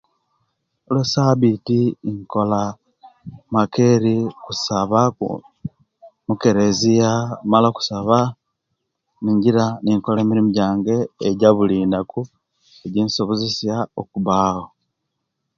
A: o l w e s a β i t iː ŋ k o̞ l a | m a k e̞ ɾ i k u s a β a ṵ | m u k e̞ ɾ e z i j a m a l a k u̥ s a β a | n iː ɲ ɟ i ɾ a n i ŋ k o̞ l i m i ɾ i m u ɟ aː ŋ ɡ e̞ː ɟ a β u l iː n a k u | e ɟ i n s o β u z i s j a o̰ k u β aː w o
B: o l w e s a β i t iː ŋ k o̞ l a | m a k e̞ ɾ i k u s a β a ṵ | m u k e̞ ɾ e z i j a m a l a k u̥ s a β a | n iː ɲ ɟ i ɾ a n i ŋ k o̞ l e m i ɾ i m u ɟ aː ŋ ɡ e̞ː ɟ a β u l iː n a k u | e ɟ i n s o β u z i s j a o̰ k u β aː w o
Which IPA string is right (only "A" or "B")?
B